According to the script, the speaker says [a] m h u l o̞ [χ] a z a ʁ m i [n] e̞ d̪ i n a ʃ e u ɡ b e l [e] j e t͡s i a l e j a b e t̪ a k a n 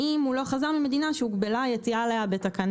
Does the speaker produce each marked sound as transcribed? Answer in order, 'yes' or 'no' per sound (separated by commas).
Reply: no, yes, no, no